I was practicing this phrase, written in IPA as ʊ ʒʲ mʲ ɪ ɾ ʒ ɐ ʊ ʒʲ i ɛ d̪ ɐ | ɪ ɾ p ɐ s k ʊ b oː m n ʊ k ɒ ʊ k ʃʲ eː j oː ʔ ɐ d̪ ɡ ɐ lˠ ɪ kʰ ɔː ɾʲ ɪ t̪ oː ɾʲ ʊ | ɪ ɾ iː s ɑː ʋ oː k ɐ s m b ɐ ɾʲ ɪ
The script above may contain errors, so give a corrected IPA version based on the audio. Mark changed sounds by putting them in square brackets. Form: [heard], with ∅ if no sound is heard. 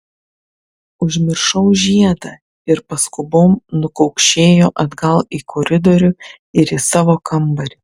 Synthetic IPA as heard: ʊ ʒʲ mʲ ɪ ɾ [ʃ] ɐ ʊ ʒʲ i ɛ d̪ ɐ | ɪ ɾ p ɐ s k ʊ b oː m n ʊ k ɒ ʊ k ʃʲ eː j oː ʔ ɐ d̪ ɡ ɐ lˠ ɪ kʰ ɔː ɾʲ ɪ [d̪] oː ɾʲ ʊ | ɪ ɾ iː s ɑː ʋ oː k ɐ [∅] m b ɐ ɾʲ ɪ